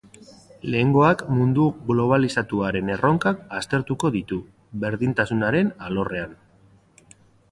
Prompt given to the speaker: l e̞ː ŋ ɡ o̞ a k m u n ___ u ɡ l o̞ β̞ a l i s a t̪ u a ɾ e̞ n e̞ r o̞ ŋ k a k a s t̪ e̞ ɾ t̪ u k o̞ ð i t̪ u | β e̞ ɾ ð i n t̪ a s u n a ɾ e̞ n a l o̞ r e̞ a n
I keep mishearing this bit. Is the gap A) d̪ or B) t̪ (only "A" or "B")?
A